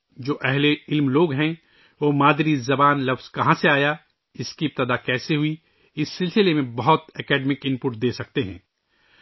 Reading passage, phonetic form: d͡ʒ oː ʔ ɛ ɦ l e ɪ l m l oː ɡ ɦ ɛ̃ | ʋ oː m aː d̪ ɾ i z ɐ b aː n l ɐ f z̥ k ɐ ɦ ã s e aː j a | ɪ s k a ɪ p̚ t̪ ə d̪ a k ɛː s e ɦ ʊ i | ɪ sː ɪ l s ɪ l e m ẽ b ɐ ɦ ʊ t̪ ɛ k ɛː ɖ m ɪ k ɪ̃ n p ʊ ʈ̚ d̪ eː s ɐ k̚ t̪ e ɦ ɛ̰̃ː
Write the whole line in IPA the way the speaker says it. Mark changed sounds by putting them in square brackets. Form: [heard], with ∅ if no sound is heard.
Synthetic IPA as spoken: d͡ʒ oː ʔ ɛ ɦ l e ɪ l m l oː ɡ ɦ ɛ̃ | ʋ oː m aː d̪ ɾ i z ɐ b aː n l ɐ f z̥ k ɐ ɦ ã s e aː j a | ɪ s k [i] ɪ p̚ t̪ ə d̪ a k ɛː s e ɦ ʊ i | ɪ sː ɪ l s ɪ l e m ẽ b ɐ ɦ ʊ t̪ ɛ k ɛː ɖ m ɪ k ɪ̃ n p ʊ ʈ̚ d̪ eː s ɐ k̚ t̪ e ɦ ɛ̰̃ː

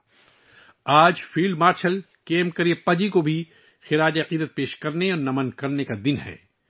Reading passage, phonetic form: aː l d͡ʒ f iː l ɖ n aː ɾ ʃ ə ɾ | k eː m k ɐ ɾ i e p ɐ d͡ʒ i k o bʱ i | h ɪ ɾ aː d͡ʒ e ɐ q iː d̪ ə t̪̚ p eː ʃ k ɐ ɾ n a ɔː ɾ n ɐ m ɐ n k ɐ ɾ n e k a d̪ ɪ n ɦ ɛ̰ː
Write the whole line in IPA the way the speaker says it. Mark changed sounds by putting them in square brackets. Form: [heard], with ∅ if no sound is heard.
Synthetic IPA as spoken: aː [∅] d͡ʒ f iː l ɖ [m] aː ɾ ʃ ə [l] | k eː m k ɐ ɾ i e p ɐ d͡ʒ i k o bʱ i | [x] ɪ ɾ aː d͡ʒ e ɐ q iː d̪ ə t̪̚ p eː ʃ k ɐ ɾ n [e] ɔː ɾ n ɐ m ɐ n k ɐ ɾ n e k a d̪ ɪ n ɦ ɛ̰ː

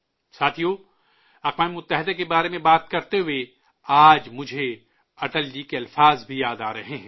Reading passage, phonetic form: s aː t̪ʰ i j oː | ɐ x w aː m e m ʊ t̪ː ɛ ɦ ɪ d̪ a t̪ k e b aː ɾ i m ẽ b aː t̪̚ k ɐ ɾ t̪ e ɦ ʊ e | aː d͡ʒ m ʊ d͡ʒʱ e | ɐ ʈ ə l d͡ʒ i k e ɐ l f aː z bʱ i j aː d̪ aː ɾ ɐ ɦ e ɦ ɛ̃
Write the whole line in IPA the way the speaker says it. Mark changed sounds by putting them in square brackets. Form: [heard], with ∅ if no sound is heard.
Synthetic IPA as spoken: s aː t̪ʰ i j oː | ɐ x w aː m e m ʊ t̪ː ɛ ɦ ɪ d̪ a [∅] k e b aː ɾ [e] m ẽ b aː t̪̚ k ɐ ɾ t̪ e ɦ ʊ e | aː d͡ʒ m ʊ d͡ʒʱ e | ɐ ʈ ə l d͡ʒ i k e ɐ l f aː z bʱ i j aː d̪ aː ɾ ɐ ɦ e ɦ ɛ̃

